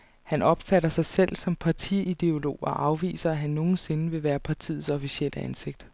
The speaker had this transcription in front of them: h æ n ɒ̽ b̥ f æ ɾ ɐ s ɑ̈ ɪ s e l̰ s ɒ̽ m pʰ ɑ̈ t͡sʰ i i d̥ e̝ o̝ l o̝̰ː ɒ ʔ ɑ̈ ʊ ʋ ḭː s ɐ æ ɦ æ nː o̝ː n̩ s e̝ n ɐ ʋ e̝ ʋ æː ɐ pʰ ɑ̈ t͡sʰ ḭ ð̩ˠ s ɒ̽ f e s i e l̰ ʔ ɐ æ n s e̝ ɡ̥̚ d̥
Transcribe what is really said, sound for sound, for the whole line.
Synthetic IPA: h æ n ɒ̽ b̥ f æ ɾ ɐ s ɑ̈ ɪ s e l̰ s ɒ̽ m pʰ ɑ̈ t͡sʰ i i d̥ e̝ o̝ l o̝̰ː ɒ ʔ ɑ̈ ʊ ʋ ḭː s ɐ æ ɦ æ nː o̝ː n̩ s e̝ n ə ʋ e̝ ʋ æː ɐ pʰ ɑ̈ t͡sʰ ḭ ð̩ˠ s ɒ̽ f i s i e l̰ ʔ ə æ n s e̝ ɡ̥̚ d̥